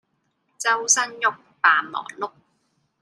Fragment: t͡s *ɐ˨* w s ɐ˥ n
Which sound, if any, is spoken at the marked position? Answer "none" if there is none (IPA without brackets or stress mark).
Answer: ɐ˥